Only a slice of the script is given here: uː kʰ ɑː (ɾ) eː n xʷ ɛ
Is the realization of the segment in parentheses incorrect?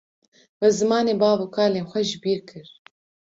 yes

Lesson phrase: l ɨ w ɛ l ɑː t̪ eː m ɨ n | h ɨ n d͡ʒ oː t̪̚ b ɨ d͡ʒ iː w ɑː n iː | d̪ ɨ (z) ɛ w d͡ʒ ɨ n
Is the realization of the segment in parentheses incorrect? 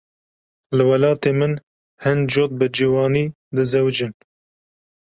no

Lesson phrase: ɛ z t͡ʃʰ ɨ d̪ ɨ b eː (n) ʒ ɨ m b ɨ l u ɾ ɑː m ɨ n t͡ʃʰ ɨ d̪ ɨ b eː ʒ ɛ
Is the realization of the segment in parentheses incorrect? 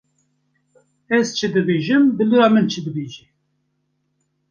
yes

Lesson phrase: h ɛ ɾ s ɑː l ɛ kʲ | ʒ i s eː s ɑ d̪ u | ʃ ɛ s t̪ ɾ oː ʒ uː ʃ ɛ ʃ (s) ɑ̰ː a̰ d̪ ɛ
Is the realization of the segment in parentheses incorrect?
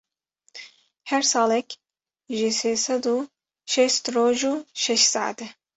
no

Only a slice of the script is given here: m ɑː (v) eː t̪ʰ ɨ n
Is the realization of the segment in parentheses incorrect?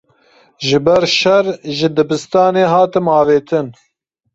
no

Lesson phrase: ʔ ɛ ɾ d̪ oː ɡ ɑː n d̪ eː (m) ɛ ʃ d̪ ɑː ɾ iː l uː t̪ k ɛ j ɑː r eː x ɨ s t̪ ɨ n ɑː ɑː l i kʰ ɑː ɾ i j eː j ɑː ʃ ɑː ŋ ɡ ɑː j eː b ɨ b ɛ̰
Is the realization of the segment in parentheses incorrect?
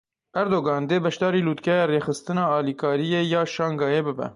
yes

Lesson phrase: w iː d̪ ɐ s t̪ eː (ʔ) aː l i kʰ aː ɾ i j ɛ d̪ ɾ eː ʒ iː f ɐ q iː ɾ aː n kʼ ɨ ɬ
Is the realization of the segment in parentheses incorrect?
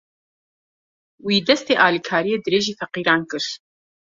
no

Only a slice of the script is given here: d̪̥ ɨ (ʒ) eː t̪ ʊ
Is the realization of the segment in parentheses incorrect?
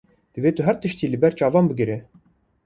yes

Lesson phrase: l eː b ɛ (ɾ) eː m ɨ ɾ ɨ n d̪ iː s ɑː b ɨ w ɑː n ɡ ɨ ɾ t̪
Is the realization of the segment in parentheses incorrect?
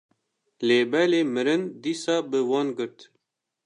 yes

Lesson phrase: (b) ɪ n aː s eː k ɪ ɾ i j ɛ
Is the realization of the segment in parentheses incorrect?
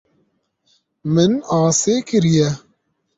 yes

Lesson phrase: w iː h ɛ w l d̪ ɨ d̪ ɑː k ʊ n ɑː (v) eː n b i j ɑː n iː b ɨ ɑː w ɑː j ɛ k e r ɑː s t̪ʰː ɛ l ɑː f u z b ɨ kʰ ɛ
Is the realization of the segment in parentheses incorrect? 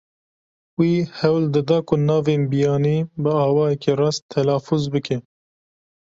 no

